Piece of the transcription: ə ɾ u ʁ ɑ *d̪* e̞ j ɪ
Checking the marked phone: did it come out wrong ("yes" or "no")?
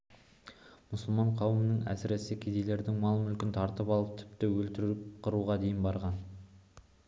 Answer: no